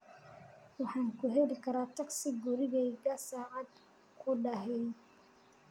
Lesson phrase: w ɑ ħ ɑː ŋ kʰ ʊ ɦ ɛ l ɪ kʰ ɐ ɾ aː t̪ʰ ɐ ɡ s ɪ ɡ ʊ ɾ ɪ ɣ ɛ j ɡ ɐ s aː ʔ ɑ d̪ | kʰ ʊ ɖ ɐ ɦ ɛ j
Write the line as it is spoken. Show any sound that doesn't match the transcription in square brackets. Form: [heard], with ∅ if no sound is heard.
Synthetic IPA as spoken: w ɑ ħ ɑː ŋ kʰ ʊ ɦ ɛ l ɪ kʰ ɐ ɾ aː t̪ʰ ɐ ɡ s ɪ ɡ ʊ ɾ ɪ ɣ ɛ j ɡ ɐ s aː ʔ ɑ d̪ | kʰ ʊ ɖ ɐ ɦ ɛ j

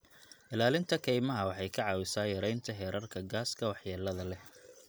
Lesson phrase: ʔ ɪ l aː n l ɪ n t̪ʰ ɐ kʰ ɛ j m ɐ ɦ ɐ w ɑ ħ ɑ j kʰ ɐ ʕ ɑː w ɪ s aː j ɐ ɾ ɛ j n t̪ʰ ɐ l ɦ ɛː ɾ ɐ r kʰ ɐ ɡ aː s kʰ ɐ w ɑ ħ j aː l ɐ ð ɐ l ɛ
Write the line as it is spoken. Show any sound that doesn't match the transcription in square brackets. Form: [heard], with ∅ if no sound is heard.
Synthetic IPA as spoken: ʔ ɪ l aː [∅] l ɪ n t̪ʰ ɐ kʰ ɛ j m ɐ ɦ ɐ w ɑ ħ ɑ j kʰ ɐ ʕ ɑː w ɪ s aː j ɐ ɾ ɛ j n t̪ʰ ɐ [∅] ɦ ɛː ɾ ɐ r kʰ ɐ ɡ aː s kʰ ɐ w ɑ ħ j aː l ɐ ð ɐ l ɛ

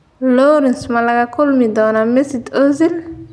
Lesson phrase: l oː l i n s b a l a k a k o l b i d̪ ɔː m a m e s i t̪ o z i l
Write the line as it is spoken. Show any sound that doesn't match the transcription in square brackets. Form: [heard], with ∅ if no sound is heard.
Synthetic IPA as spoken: l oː [ɾ] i n s [m] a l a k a k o l [m] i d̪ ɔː [n] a m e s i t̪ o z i l

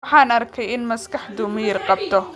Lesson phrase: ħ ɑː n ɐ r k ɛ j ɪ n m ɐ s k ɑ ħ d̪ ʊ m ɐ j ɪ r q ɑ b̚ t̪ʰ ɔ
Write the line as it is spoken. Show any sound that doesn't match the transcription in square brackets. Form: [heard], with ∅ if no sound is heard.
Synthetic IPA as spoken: ħ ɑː n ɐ r [kʰ] ɛ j ɪ n m ɐ s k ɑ ħ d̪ ʊ m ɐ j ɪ r q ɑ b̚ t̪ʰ ɔ

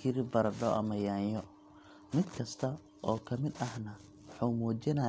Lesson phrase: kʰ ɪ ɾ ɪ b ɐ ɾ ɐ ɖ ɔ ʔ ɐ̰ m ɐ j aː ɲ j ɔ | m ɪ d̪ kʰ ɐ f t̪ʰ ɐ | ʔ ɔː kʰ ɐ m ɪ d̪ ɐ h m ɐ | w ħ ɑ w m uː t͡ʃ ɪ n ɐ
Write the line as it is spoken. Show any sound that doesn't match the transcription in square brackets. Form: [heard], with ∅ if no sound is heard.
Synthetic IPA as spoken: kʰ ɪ ɾ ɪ b ɐ ɾ ɐ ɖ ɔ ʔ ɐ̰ m ɐ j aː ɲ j ɔ | m ɪ d̪ kʰ ɐ [s] t̪ʰ ɐ | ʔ ɔː kʰ ɐ m ɪ d̪ ɐ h [n] ɐ | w ħ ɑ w m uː t͡ʃ ɪ n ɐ

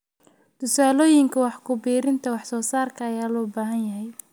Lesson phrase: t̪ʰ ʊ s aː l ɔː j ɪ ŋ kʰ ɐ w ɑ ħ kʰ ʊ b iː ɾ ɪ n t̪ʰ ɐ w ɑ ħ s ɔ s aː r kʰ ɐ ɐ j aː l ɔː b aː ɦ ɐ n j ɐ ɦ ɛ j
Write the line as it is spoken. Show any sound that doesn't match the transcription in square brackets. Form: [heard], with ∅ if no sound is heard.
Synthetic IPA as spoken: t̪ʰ ʊ s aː l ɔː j ɪ ŋ kʰ ɐ w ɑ ħ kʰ ʊ b iː ɾ ɪ n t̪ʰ ɐ w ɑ ħ s [ɔː] s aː r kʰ ɐ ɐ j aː l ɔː b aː ɦ ɐ n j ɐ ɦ ɛ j

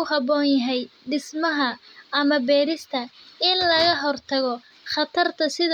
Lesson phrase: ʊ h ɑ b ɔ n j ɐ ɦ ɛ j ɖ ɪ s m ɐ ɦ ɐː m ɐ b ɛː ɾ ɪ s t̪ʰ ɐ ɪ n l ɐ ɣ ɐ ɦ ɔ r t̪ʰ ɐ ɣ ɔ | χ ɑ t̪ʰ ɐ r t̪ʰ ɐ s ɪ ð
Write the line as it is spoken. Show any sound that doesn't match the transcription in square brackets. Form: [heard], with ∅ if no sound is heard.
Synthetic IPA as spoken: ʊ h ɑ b [ɔː] n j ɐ ɦ ɛ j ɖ ɪ s m ɐ ɦ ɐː m ɐ b ɛː ɾ ɪ s t̪ʰ ɐ ɪ n l ɐ ɣ ɐ ɦ ɔ r t̪ʰ ɐ ɣ ɔ | χ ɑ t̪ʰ ɐ r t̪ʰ ɐ s ɪ ð

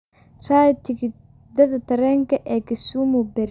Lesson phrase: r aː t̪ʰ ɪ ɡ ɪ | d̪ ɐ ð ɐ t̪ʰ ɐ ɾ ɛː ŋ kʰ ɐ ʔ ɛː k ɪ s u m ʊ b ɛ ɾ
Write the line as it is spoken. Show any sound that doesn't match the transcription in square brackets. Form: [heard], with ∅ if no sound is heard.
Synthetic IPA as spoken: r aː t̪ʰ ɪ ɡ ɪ | d̪ ɐ ð ɐ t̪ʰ ɐ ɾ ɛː ŋ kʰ ɐ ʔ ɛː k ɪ s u m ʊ b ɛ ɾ

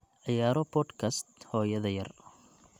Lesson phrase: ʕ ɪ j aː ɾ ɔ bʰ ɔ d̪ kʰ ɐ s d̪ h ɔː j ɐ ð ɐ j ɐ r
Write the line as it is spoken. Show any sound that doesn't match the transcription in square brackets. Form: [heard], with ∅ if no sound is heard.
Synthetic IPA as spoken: ʕ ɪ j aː ɾ ɔ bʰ ɔ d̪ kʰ ɐ s [t̪] h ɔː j ɐ ð ɐ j ɐ r

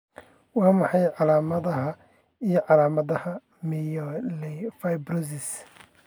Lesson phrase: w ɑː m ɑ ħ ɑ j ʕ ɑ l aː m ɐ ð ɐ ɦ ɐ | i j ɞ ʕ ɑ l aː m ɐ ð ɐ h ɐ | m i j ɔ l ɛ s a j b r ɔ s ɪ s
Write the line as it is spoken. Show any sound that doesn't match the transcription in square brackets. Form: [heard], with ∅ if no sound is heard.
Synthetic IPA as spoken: w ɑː m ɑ ħ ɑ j ʕ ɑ l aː m ɐ ð ɐ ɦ ɐ | i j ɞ ʕ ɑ l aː m ɐ ð ɐ h ɐ | m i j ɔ l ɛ [f] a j b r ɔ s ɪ s

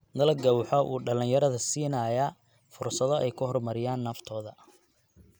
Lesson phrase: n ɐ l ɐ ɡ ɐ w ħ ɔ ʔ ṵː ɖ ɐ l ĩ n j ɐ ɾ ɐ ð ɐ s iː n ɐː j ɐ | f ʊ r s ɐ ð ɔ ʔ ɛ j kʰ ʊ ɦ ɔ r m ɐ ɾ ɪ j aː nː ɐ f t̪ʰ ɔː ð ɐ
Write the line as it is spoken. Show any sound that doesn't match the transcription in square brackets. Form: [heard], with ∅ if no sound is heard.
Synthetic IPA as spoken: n ɐ l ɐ ɡ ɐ w ħ ɔ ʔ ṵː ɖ ɐ l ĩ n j ɐ ɾ ɐ ð ɐ s iː n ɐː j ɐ | f ʊ r s ɐ ð ɔ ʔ ɛ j kʰ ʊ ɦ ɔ r m ɐ ɾ ɪ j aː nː ɐ f t̪ʰ ɔː ð ɐ

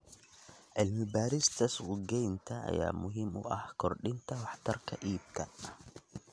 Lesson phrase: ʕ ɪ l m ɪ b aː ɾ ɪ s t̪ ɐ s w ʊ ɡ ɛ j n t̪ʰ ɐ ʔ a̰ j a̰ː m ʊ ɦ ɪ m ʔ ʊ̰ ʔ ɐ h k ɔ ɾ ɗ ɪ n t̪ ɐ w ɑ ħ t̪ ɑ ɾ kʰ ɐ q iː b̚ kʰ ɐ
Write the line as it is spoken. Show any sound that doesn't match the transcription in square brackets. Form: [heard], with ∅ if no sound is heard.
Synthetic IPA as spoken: ʕ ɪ l m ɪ b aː ɾ ɪ s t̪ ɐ s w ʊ ɡ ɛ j n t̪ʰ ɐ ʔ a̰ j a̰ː m ʊ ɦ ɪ m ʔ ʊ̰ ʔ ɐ h k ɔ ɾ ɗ ɪ n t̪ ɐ w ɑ ħ t̪ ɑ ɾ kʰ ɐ [ʔ] iː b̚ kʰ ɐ

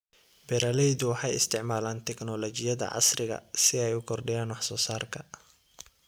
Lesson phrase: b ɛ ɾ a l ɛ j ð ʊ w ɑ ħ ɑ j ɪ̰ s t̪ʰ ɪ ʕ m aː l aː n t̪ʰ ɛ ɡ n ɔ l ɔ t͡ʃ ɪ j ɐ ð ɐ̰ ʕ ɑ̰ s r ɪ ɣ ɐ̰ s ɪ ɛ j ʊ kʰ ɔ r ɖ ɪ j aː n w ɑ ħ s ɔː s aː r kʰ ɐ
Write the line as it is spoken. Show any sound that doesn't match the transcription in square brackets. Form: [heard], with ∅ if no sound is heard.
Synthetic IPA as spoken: b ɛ ɾ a l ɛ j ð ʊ w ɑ ħ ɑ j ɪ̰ s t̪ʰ ɪ ʕ m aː l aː n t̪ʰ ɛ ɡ n ɔ l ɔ t͡ʃ ɪ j ɐ ð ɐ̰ ʕ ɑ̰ s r ɪ ɣ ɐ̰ s ɪ ɛ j ʊ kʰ ɔ r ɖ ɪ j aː n w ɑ ħ s ɔː s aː r kʰ ɐ

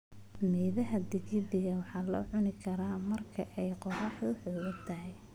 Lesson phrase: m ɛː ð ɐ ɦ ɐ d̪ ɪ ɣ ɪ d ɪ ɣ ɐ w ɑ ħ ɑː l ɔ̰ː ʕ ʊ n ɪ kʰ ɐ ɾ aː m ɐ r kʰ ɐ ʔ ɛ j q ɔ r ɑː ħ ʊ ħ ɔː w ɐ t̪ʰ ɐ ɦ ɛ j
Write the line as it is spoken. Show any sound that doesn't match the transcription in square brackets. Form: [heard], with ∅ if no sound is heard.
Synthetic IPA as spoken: m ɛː ð ɐ ɦ ɐ d̪ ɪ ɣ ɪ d ɪ ɣ ɐ w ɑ ħ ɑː l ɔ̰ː ʕ ʊ n ɪ kʰ ɐ ɾ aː m ɐ r kʰ ɐ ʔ ɛ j q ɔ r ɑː ħ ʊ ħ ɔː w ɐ t̪ʰ ɐ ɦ ɛ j

